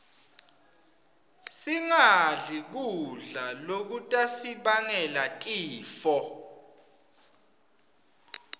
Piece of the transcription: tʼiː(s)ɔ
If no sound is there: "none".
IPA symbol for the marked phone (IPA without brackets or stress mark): f